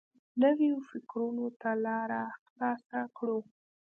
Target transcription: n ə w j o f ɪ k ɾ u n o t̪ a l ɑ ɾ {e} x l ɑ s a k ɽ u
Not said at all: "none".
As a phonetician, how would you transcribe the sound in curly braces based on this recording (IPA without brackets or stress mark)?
a